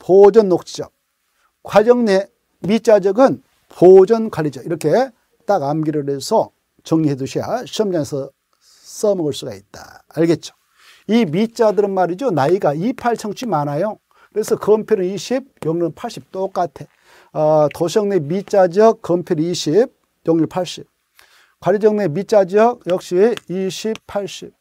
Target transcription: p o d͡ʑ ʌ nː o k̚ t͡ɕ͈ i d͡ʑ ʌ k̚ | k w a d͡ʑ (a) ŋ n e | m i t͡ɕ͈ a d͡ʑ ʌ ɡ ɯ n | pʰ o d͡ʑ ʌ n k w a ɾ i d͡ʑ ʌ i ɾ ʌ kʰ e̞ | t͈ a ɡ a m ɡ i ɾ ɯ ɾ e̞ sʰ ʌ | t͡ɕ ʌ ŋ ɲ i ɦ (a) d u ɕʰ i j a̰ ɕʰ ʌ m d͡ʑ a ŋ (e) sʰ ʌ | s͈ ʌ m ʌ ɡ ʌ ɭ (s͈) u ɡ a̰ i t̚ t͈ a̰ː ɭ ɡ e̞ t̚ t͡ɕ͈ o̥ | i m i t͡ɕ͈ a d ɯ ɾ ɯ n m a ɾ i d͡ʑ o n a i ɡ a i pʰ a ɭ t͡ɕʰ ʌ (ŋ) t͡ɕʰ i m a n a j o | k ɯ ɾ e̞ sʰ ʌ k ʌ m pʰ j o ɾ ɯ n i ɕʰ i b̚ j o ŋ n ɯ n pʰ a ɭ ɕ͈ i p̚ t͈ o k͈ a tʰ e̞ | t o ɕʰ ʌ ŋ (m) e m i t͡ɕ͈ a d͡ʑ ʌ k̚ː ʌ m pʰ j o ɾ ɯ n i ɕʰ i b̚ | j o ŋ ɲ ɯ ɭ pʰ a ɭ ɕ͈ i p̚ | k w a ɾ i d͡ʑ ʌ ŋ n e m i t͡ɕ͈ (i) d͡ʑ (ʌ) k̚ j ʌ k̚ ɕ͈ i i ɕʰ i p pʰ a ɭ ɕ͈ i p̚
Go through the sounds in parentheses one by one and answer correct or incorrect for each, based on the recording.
incorrect, incorrect, correct, correct, correct, incorrect, incorrect, correct

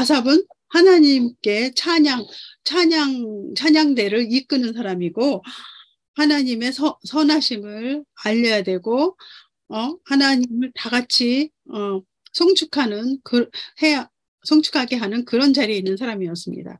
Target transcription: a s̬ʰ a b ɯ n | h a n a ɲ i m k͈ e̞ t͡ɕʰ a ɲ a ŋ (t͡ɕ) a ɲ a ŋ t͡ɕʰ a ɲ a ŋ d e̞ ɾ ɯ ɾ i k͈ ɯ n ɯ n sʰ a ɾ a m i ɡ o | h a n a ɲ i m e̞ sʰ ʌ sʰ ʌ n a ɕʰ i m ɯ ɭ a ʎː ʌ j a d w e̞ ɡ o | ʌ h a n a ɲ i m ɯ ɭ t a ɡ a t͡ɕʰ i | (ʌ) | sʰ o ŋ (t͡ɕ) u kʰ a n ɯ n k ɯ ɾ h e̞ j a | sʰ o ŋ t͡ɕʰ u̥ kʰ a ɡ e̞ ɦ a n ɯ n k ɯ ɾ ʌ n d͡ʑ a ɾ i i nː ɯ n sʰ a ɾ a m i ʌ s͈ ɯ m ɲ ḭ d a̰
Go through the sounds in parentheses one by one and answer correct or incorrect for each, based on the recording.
incorrect, correct, incorrect

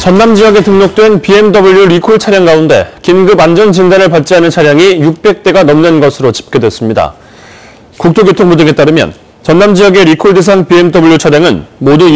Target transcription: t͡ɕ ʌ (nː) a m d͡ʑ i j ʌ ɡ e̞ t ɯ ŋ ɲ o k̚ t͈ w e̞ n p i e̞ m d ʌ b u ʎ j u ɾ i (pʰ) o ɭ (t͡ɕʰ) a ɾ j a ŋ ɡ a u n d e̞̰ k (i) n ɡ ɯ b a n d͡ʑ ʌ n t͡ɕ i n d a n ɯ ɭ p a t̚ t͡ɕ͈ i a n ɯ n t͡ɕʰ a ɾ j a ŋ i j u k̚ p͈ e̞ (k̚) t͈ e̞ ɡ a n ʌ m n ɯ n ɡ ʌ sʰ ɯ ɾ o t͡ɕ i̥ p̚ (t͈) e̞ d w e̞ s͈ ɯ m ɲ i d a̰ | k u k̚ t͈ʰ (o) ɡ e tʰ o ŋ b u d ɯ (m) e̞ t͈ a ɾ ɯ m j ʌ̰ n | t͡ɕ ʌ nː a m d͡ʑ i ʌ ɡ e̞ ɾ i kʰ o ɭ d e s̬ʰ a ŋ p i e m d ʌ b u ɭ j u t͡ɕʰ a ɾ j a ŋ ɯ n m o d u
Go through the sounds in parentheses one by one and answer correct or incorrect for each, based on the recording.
correct, incorrect, correct, correct, correct, incorrect, correct, incorrect

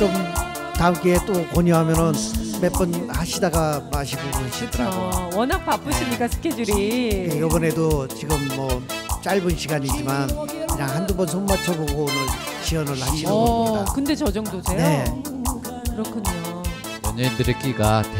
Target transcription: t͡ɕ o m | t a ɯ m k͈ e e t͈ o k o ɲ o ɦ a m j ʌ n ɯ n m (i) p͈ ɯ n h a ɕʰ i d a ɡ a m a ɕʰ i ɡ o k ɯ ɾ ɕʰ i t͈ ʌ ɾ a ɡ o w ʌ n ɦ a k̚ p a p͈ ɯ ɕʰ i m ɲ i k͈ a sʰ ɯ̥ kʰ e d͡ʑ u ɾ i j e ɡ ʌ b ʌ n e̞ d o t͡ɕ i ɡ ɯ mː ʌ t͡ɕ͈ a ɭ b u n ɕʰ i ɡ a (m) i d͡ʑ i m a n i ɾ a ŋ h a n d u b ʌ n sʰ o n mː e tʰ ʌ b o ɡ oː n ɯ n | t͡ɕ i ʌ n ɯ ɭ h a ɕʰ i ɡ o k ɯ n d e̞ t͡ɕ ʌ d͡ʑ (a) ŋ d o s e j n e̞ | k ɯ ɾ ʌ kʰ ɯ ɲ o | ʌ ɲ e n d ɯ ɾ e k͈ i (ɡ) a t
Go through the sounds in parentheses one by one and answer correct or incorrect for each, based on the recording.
incorrect, incorrect, incorrect, correct

